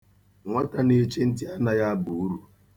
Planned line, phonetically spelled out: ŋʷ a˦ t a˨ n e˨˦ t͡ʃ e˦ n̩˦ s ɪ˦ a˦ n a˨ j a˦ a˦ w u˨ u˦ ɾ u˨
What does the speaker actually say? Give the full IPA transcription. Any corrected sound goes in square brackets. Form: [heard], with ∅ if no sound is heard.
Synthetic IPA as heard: ŋʷ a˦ t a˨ n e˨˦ t͡ʃ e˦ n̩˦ [t] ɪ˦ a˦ n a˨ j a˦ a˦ [b] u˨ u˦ ɾ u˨